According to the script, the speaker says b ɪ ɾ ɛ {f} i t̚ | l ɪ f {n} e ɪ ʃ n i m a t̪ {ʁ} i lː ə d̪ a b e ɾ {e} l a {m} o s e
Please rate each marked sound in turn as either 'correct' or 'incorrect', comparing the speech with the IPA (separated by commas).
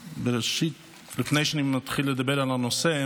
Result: incorrect, correct, incorrect, incorrect, incorrect